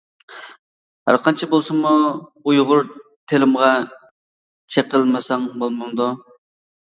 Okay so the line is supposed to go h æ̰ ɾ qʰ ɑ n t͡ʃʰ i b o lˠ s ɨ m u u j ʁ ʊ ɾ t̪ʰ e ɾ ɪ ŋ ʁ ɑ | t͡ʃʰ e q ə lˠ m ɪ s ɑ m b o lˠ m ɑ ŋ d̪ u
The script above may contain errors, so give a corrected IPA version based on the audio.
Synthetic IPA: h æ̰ ɾ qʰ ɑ n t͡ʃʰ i b o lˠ s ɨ m u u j ʁ ʊ ɾ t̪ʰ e l ɪ m ʁ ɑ | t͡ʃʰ e q ə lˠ m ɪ s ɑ ŋ b o lˠ m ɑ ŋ d̪ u